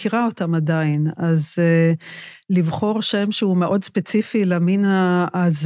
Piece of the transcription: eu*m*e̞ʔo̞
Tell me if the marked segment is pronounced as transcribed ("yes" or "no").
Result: yes